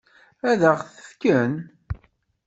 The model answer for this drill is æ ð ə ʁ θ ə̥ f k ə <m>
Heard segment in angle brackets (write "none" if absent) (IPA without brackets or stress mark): n